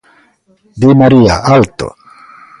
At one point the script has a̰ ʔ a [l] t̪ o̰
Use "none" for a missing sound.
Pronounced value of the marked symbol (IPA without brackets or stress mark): l